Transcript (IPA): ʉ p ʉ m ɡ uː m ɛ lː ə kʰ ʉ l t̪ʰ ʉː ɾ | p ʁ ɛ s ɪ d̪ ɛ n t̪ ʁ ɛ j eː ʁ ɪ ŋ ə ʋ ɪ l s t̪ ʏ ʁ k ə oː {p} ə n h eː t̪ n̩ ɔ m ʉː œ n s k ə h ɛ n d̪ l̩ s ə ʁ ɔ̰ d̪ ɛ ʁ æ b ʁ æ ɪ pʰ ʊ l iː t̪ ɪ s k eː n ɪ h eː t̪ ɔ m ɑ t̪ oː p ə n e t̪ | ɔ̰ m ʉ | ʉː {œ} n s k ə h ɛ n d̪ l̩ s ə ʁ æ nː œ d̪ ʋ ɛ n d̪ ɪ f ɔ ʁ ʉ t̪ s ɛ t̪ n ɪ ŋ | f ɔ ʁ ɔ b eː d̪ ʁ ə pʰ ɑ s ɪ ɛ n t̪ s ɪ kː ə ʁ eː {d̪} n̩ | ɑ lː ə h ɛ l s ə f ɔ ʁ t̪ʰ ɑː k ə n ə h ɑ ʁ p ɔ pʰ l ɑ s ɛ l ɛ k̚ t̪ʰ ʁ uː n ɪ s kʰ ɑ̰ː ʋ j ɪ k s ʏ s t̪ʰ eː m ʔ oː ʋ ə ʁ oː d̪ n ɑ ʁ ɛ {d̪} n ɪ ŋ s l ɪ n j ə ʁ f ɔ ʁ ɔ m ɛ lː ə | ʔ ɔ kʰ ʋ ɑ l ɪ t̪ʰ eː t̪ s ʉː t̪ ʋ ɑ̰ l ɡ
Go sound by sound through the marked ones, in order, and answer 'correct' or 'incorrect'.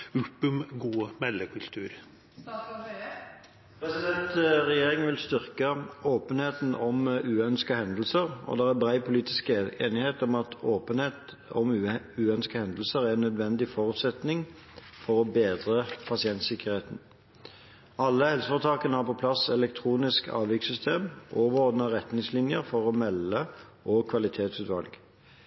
correct, correct, incorrect, incorrect

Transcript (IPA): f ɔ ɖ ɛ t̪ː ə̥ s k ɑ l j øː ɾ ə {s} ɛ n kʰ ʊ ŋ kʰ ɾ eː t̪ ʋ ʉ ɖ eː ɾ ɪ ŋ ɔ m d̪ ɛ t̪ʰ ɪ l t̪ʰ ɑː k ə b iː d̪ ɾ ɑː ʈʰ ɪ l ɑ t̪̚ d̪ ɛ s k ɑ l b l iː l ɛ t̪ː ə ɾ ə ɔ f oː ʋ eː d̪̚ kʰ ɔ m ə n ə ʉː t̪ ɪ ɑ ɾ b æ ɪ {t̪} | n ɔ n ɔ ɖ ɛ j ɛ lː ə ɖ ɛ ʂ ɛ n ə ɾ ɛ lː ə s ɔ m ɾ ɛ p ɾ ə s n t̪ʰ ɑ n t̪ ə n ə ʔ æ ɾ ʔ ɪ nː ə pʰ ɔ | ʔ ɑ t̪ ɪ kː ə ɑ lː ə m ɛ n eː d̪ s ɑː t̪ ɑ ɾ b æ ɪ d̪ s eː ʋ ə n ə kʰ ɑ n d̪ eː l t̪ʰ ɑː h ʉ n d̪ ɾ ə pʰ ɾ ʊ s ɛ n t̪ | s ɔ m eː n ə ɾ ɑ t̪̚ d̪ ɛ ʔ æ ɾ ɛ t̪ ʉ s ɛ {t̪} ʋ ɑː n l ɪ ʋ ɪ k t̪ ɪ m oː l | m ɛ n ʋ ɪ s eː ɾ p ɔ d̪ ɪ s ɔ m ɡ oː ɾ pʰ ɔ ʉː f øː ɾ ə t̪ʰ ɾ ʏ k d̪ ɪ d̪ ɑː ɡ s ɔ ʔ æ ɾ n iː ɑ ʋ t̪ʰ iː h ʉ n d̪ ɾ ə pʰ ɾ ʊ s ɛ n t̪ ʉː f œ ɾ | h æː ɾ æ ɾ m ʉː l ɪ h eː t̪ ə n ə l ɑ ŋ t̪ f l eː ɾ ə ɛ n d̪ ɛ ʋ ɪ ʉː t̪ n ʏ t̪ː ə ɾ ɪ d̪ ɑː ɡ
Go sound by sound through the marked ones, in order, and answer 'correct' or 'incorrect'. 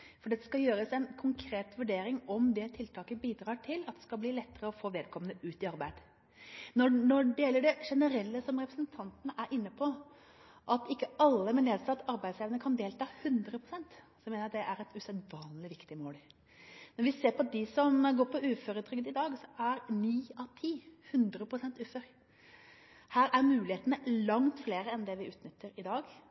correct, incorrect, incorrect

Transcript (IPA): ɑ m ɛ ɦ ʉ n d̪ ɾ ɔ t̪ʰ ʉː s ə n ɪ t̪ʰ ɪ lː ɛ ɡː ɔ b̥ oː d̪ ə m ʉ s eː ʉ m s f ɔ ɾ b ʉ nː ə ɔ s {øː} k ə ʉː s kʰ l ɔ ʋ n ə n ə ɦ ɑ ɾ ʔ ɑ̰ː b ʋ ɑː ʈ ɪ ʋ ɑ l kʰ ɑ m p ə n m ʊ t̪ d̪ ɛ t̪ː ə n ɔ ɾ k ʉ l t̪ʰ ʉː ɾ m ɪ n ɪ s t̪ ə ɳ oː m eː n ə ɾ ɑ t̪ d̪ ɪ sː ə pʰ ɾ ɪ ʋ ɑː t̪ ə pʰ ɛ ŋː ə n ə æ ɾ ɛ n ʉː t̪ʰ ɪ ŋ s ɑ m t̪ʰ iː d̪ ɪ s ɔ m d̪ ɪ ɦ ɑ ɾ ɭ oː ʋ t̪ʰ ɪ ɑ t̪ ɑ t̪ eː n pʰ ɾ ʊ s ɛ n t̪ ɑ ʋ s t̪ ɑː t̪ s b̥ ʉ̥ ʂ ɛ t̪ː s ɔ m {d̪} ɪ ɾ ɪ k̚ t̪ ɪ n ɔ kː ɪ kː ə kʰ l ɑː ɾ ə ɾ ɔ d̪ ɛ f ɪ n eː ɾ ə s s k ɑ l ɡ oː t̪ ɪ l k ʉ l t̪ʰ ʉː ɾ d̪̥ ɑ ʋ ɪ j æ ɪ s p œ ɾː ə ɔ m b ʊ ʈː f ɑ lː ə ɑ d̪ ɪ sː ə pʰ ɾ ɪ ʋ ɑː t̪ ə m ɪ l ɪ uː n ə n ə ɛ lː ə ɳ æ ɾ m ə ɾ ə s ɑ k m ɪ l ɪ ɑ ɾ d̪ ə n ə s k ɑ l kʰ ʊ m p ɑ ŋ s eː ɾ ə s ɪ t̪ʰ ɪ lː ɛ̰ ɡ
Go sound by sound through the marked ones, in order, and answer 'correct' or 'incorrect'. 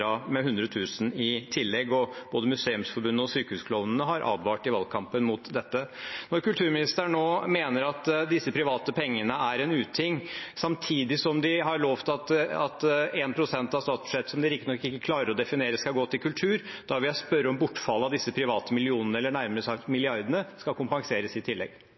incorrect, correct

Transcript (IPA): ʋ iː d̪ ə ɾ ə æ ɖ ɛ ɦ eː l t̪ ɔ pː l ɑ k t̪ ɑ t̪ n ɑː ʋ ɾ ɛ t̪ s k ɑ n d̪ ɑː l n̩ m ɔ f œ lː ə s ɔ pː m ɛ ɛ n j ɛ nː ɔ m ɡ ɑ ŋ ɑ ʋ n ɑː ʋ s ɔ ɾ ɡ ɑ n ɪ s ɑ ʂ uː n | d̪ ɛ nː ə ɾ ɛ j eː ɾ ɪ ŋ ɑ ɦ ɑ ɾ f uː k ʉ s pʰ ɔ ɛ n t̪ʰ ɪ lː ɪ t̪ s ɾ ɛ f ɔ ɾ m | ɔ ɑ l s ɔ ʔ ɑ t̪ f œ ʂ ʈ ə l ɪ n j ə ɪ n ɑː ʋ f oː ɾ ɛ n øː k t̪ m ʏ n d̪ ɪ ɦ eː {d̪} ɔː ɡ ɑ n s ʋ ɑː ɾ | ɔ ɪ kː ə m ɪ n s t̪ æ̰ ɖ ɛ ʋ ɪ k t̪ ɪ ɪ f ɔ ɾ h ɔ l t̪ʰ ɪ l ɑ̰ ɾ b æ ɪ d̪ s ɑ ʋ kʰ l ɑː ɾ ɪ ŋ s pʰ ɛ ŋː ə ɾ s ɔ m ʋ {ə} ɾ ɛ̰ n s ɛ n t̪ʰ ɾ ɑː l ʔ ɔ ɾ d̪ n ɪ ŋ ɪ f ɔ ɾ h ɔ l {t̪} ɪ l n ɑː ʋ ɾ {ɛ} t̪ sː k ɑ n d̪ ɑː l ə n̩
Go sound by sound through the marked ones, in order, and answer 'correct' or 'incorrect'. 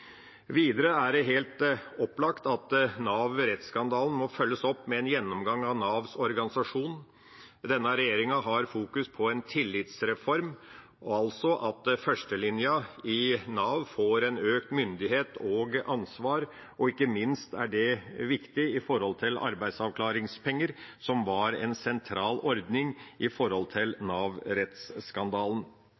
incorrect, incorrect, incorrect, correct

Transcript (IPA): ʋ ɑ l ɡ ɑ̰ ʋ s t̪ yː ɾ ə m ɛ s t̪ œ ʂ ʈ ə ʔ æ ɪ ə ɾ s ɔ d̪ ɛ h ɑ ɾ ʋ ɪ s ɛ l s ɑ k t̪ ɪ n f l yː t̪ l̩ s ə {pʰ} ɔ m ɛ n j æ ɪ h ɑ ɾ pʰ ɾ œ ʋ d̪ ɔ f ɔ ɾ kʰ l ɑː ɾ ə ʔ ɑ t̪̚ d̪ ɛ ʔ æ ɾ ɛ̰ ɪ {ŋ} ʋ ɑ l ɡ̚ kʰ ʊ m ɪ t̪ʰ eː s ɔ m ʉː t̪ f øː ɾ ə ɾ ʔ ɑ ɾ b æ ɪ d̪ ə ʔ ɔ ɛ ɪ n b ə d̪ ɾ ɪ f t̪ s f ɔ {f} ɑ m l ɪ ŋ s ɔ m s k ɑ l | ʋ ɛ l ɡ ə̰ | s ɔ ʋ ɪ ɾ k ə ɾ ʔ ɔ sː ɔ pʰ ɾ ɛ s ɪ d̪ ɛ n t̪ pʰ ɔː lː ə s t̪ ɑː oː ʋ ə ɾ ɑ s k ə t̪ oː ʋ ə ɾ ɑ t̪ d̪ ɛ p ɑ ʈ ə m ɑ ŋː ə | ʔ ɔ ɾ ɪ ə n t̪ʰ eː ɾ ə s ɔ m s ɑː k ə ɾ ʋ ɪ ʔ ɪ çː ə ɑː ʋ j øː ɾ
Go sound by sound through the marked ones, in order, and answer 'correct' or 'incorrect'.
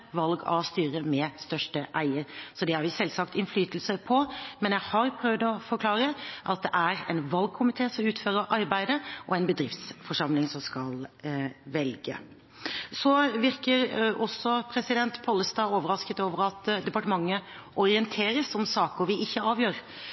correct, incorrect, incorrect

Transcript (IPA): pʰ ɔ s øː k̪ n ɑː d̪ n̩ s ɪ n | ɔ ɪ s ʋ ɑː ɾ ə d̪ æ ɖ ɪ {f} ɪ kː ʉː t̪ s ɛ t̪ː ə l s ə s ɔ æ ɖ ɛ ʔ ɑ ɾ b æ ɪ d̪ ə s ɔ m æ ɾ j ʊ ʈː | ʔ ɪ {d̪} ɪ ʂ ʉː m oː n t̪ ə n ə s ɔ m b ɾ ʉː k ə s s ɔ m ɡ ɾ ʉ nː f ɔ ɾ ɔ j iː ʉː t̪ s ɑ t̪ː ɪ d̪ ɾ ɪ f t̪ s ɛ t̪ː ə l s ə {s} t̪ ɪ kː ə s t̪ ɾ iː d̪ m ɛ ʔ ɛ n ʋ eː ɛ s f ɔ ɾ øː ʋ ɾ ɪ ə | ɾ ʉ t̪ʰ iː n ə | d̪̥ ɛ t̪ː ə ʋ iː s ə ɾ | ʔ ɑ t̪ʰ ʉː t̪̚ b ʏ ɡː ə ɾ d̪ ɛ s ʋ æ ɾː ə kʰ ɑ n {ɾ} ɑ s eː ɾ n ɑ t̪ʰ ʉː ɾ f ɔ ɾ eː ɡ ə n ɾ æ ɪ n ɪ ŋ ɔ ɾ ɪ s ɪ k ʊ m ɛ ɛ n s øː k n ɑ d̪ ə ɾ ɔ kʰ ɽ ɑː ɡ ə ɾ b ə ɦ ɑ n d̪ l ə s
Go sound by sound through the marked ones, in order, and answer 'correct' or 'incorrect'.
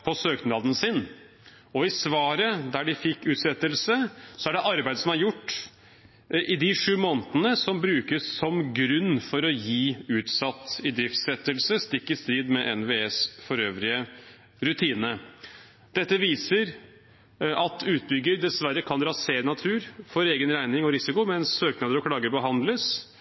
correct, correct, correct, correct

